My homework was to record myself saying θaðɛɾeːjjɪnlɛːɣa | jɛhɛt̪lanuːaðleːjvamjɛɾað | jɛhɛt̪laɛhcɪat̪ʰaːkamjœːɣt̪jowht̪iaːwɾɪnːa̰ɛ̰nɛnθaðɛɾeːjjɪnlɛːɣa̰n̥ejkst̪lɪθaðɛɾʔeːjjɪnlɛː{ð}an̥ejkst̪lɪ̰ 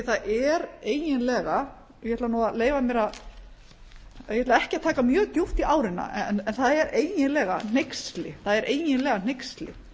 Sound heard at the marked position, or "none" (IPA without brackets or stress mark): ɣ